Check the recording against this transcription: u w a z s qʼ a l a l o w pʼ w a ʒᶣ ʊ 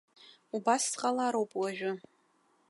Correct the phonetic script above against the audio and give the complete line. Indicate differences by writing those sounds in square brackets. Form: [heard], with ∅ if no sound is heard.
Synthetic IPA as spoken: u [b] a [s] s qʼ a l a [ɾ] o w pʼ w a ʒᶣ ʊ